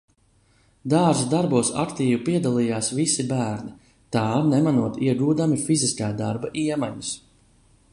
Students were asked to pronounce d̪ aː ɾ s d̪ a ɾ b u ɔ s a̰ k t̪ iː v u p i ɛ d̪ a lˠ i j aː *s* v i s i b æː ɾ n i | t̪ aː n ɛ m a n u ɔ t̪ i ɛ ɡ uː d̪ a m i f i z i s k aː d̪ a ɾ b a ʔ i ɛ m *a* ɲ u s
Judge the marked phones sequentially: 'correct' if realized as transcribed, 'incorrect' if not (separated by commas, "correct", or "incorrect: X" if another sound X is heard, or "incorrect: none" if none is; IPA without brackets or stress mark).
correct, correct